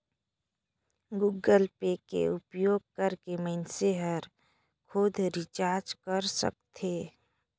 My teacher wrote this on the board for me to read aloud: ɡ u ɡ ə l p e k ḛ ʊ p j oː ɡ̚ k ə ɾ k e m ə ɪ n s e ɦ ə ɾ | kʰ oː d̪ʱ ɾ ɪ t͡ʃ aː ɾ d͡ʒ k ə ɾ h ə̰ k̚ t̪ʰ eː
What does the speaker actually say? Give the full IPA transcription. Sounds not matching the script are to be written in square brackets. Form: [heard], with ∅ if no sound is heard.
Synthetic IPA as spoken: ɡ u ɡ ə l p e k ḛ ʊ p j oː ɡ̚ k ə ɾ k e m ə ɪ n s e ɦ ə ɾ | kʰ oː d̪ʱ ɾ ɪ t͡ʃ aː ɾ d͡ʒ k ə ɾ [s] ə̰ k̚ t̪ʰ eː

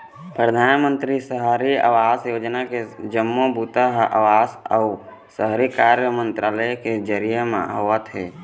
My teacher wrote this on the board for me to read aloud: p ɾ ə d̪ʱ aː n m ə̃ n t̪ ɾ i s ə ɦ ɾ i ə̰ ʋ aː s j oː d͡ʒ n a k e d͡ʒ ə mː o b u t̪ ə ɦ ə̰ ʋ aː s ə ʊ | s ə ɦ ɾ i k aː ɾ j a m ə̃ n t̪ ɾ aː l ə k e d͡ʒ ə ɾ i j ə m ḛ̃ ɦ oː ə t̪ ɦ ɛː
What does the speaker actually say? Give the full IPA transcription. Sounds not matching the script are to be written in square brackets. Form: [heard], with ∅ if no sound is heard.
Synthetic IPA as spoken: p ɾ ə d̪ʱ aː n m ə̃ n t̪ ɾ i s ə ɦ ɾ i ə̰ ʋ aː s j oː d͡ʒ n a k e d͡ʒ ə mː o b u t̪ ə ɦ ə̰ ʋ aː s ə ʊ | s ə ɦ ɾ i k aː ɾ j [ə] m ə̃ n t̪ ɾ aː l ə k e d͡ʒ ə ɾ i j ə m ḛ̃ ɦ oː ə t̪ ɦ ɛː

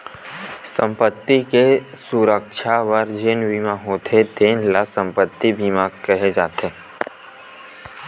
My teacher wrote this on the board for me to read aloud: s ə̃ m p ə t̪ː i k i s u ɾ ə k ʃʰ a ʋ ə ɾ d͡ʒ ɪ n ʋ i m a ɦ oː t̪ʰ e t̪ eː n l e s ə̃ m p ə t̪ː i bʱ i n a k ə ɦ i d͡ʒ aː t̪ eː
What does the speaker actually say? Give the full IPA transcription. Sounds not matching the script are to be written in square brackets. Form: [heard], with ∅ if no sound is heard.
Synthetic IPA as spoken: s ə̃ m p ə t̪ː i k [e] s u ɾ ə k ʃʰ a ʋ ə ɾ d͡ʒ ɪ n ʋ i m a ɦ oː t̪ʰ e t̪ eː n l [a] s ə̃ m p ə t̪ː i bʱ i [m] a k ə ɦ [e] d͡ʒ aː t̪ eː

